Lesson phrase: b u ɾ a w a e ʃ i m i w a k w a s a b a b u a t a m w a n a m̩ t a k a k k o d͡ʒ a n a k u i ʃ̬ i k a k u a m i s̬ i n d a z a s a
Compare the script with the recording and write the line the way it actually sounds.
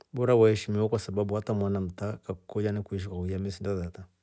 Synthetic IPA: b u ɾ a w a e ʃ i m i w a k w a s a b a b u a t a m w a n a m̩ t a k a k k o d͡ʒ a n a k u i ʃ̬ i k a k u a m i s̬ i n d a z a t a